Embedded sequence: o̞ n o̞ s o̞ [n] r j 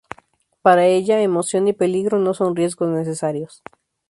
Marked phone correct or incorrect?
correct